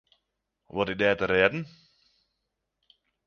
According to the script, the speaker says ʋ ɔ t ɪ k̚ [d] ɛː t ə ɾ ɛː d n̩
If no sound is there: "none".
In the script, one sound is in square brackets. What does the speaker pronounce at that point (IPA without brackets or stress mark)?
d